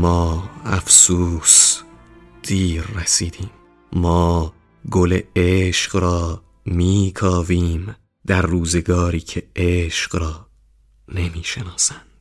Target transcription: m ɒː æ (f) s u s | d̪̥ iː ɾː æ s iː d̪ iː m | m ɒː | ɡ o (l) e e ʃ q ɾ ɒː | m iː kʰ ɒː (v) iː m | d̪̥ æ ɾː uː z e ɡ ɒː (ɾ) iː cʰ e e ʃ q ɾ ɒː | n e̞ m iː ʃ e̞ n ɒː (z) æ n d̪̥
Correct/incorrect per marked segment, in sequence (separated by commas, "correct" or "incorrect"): correct, correct, correct, correct, incorrect